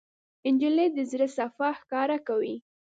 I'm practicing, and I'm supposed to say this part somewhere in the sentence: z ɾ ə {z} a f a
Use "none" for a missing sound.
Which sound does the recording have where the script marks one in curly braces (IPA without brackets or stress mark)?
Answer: s